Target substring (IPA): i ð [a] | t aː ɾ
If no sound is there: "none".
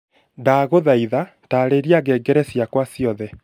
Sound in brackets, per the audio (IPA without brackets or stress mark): a